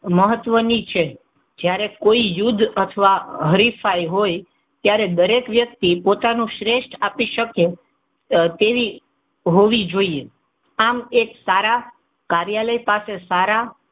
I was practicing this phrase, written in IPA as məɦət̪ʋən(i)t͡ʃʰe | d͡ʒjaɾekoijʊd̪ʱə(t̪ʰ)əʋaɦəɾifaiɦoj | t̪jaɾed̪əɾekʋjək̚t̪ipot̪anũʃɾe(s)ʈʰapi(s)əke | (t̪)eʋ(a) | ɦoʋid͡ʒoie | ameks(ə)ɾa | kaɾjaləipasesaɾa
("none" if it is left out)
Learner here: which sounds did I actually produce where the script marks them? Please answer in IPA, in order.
i, t̪ʰ, ʃ, ʃ, t̪, i, a

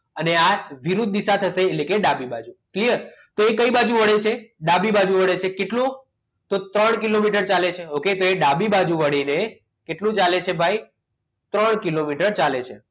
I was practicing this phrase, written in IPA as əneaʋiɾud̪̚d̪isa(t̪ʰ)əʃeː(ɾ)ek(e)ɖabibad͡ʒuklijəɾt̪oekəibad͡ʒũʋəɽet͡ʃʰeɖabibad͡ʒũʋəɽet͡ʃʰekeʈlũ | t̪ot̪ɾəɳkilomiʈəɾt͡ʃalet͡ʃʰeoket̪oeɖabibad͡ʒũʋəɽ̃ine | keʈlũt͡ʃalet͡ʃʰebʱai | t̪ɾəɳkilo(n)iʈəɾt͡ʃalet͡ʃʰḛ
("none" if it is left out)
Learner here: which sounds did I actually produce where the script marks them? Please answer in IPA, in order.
t̪ʰ, l, e, m

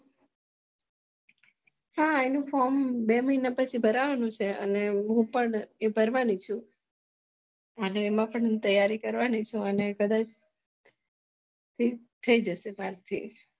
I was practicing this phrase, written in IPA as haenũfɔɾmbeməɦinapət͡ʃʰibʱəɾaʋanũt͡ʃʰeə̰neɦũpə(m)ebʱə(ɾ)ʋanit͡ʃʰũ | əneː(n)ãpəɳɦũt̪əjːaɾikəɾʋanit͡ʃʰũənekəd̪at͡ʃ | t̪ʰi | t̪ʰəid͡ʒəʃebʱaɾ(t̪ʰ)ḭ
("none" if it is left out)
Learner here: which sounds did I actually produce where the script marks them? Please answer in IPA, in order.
ɳ, ɾ, m, t̪ʰ

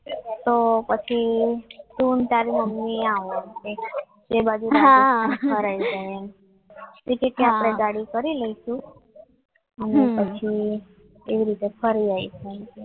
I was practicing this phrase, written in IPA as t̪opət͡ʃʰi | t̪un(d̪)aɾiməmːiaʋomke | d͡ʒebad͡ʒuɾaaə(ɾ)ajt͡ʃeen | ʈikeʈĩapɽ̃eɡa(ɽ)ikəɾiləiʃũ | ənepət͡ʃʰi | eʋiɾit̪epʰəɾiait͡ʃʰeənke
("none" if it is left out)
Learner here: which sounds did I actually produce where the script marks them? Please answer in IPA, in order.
t̪, ɾ, ɽ

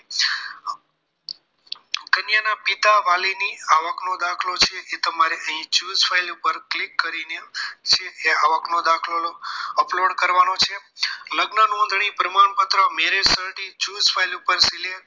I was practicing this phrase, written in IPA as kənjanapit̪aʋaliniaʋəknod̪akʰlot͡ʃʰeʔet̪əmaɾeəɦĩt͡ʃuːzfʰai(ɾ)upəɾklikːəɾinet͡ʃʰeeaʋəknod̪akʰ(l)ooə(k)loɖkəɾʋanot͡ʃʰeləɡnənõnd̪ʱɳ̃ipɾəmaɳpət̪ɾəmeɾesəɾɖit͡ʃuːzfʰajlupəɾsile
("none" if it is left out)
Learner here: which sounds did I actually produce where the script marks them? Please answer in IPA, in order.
l, l, p

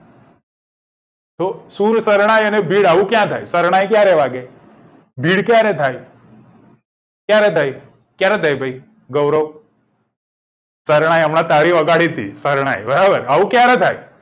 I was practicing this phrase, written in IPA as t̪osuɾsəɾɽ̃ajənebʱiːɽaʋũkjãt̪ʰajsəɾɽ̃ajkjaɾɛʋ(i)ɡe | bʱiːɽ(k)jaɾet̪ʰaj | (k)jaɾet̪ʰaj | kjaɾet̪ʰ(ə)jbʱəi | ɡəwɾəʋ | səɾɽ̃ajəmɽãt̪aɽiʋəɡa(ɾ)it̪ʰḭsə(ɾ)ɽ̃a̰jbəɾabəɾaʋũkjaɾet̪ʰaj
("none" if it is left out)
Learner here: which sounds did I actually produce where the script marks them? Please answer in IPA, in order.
a, k, k, a, ɽ, ɾ

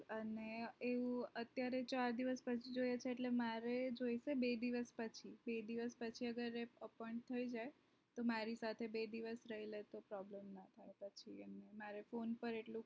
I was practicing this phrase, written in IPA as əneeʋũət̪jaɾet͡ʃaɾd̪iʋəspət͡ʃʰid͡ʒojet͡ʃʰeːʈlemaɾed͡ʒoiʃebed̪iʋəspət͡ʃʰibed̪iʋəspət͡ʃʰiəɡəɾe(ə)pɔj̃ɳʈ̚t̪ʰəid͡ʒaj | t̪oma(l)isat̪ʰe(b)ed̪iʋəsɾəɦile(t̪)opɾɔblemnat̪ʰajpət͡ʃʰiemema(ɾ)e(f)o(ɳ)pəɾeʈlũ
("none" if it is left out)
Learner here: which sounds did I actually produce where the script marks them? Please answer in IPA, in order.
ə, ɾ, b, t̪, ɾ, f, n

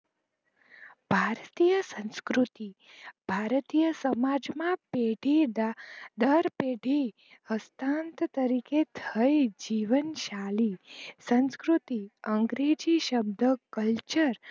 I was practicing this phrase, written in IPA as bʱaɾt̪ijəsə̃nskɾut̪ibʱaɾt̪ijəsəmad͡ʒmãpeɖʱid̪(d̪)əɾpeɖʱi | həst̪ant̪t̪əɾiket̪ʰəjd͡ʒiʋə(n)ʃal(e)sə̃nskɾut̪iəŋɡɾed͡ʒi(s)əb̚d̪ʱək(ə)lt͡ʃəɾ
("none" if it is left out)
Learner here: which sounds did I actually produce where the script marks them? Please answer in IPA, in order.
d̪, n, i, ʃ, ə

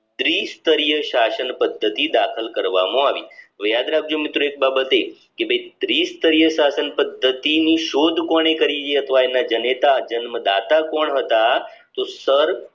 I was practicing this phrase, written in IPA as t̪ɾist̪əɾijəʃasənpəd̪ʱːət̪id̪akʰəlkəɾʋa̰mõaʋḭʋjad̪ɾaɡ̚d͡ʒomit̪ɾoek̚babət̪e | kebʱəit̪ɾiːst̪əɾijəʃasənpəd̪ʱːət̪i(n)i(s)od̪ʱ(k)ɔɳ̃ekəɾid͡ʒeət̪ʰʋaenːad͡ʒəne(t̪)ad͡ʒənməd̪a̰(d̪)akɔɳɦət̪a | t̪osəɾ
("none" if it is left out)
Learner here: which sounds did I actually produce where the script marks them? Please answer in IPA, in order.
n, ʃ, k, t̪, t̪

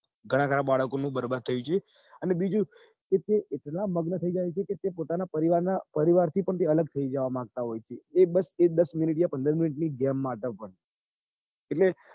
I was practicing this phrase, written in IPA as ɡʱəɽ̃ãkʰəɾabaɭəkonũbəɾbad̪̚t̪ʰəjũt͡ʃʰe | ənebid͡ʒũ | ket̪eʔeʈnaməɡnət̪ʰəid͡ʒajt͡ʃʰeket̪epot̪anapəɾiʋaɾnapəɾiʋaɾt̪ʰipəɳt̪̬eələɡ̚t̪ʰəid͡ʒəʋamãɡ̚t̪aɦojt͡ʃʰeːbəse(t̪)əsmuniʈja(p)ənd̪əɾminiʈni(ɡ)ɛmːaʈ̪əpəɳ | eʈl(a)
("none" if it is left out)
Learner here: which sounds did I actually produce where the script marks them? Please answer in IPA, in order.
d̪, p, ɡ, e

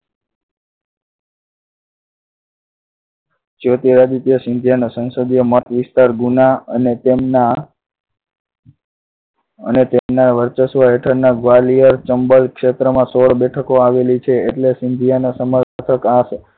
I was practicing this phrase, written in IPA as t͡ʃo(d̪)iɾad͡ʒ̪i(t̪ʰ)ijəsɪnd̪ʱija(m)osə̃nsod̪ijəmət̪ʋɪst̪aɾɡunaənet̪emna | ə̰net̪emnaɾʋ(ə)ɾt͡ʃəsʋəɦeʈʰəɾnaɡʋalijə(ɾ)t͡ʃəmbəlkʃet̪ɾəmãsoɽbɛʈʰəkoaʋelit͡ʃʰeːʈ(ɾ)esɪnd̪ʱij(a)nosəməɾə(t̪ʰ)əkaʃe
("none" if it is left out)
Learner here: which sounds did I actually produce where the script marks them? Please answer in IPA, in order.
t̪, t̪, n, ə, ɾ, l, a, t̪ʰ

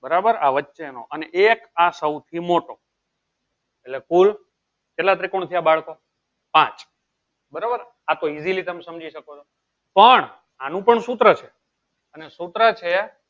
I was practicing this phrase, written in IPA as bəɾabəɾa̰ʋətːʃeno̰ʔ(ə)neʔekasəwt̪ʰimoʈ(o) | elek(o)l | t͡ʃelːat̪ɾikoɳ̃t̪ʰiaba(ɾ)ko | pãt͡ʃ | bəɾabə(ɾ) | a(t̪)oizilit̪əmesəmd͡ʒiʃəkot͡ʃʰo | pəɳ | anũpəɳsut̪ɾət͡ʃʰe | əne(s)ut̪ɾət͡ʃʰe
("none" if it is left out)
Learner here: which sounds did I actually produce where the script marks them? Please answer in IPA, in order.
ə, o, u, ɭ, ɾ, t̪, s

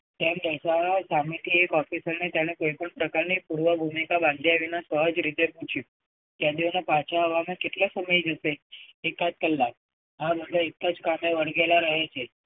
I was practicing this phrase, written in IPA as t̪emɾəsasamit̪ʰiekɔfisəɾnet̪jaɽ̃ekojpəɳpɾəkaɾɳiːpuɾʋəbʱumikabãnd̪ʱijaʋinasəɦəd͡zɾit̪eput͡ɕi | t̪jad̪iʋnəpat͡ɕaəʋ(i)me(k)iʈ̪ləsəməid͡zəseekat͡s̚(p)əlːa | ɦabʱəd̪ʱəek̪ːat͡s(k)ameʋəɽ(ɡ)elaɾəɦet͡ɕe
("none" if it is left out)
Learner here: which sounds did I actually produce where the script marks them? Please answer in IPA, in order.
a, k, k, k, ɡ

